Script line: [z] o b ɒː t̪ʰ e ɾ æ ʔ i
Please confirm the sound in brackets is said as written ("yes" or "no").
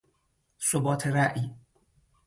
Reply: no